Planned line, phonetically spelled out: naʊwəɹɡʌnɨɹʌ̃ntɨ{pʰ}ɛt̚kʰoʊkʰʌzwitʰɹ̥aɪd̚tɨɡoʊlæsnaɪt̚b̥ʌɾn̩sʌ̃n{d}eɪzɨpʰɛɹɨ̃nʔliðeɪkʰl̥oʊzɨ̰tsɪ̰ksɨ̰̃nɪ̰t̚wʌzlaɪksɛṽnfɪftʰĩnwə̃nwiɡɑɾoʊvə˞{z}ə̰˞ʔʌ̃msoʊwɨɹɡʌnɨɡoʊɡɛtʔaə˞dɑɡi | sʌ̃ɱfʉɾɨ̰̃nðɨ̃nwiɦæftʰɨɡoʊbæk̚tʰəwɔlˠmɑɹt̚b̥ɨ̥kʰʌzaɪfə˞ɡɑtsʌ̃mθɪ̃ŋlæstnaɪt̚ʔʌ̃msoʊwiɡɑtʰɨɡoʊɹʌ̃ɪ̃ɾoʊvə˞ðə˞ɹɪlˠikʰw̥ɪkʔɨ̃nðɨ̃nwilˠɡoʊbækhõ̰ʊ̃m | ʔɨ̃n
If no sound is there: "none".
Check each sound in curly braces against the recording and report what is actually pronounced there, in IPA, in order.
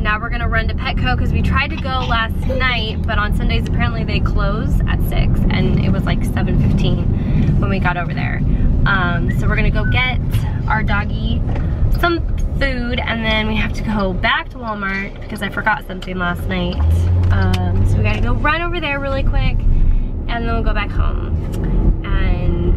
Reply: pʰ, d, ð

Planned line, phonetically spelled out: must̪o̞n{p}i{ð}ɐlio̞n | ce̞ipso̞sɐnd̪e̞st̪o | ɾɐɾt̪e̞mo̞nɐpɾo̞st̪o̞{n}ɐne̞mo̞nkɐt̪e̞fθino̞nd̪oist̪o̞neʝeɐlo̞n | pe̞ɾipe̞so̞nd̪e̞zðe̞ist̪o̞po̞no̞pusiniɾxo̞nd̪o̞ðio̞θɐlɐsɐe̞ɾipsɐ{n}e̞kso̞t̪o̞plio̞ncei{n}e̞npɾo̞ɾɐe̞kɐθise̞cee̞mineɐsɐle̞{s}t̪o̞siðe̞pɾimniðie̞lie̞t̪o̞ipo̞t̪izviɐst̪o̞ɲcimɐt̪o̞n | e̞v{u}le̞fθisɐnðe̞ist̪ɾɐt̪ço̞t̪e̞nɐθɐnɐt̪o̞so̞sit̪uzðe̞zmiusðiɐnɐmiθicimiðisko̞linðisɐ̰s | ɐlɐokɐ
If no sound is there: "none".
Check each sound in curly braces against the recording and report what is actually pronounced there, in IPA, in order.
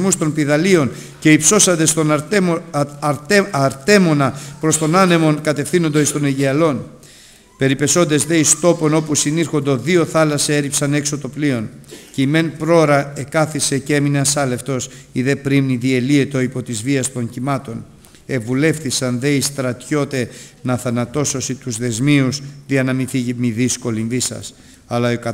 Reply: p, ð, n, n, m, f, u

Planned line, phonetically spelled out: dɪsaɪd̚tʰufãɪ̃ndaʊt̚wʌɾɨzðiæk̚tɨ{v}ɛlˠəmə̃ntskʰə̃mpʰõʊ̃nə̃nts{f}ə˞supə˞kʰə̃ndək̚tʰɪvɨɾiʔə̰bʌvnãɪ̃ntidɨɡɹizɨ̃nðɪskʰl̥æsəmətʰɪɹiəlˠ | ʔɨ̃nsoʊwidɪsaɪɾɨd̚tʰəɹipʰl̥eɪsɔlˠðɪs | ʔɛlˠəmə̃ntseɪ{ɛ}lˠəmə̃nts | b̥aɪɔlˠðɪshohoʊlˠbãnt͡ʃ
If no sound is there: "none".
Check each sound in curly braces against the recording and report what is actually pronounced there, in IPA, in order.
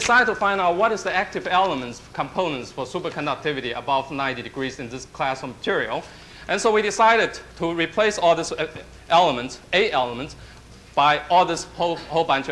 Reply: v, f, ɛ

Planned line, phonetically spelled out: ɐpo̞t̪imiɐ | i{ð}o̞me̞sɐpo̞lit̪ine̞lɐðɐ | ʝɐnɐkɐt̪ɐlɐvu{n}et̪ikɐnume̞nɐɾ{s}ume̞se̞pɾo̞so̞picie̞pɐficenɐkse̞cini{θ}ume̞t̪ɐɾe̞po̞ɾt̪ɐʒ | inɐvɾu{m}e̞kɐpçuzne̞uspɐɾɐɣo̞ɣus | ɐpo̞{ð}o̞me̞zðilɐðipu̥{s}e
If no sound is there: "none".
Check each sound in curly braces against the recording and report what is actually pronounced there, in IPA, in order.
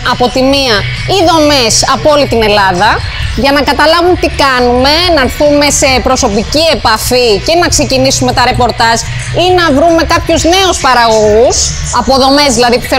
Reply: ð, m, θ, s, m, ð, θ

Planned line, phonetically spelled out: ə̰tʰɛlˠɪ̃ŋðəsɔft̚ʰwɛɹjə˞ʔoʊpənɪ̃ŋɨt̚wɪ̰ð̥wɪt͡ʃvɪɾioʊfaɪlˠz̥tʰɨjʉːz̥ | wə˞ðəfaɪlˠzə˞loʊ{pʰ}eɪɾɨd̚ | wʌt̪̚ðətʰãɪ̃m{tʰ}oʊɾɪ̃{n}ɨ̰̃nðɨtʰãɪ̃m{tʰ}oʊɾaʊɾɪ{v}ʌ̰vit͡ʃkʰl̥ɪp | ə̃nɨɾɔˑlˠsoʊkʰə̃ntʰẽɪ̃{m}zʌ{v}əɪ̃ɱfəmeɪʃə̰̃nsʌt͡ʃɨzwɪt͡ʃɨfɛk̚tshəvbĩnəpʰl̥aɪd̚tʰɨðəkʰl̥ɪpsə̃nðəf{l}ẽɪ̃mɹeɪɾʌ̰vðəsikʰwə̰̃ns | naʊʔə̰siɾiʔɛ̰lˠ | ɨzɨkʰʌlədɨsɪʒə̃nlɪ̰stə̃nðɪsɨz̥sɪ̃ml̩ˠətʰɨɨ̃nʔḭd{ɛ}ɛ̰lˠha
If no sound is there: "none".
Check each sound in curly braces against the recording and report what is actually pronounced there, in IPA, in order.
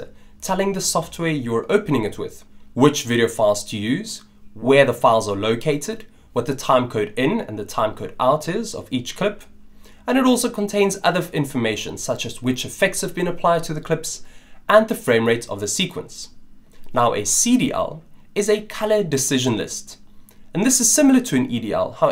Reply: kʰ, kʰ, n, kʰ, z, n, ð, ɹ, i

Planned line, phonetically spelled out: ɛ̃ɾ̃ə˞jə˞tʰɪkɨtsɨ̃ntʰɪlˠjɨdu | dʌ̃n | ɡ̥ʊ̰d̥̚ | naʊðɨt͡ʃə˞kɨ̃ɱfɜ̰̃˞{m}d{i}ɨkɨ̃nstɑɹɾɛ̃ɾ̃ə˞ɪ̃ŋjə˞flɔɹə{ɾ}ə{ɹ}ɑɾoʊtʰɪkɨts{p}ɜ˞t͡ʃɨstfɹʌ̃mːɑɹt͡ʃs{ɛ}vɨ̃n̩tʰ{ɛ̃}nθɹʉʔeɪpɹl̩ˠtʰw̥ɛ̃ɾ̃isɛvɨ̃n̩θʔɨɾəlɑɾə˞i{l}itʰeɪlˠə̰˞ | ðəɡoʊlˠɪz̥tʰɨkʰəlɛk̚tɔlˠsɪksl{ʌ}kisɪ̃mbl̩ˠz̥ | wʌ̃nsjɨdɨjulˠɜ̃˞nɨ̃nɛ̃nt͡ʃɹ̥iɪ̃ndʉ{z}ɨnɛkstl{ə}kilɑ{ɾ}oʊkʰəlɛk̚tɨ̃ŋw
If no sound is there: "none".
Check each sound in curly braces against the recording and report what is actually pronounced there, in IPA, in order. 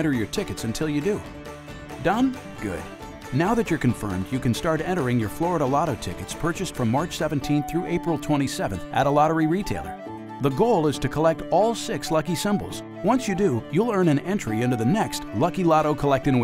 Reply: m, j, ɾ, l, pʰ, ɛ, ĩ, ɹ, ʌ, ð, ʌ, ɾ

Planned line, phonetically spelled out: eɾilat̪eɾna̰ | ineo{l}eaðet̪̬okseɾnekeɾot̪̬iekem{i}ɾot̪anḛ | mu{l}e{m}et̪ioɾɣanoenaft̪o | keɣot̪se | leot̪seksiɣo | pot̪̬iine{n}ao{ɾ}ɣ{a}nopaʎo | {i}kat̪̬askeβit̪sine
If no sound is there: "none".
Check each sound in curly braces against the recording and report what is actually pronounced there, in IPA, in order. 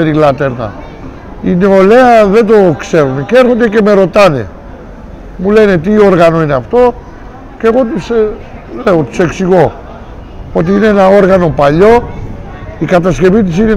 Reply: l, e, l, n, n, ɾ, a, i

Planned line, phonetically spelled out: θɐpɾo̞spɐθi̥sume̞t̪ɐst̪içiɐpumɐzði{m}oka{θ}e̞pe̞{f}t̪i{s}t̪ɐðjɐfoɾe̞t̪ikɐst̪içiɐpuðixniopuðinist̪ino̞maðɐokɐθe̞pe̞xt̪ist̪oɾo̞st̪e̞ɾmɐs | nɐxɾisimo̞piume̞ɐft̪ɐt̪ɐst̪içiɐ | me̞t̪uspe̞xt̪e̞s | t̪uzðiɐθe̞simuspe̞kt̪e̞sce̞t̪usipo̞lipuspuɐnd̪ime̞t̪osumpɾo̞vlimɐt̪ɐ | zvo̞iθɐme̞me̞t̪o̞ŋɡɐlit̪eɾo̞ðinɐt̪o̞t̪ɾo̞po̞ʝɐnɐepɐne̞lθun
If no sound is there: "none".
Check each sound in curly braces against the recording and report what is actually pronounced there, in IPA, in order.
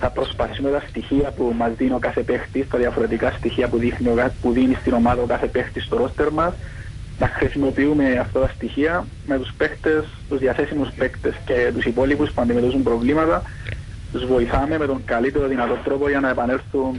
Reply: n, θ, x, s

